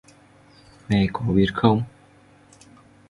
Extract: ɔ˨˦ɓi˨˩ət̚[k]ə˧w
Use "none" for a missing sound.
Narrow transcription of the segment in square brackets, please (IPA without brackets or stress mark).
x